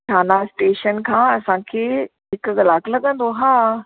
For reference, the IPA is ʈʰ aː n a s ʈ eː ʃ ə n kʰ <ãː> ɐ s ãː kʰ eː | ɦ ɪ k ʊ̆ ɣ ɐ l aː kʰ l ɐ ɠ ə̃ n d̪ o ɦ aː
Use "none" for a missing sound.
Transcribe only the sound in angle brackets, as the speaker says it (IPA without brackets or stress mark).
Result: ãː